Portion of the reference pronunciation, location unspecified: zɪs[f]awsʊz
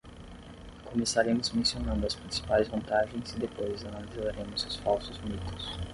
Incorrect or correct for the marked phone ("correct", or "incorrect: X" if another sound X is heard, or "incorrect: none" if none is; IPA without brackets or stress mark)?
correct